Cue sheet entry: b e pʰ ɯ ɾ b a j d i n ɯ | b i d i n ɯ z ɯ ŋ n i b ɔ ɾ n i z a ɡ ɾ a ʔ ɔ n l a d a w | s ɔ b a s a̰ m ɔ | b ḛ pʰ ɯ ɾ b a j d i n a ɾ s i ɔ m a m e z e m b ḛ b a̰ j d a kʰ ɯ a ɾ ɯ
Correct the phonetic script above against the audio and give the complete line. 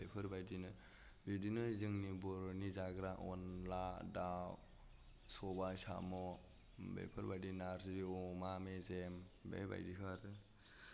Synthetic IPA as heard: b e pʰ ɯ ɾ b a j d i n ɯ | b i d i n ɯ z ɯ ŋ n i b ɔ ɾ n i z a ɡ ɾ a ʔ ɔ n l a d a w | s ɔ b a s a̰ m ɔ | b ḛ pʰ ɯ ɾ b a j d i n a ɾ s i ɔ m a m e z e m b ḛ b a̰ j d i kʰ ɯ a ɾ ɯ